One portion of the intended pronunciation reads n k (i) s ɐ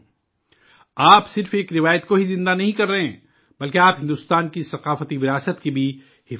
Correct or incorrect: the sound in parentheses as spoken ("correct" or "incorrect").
correct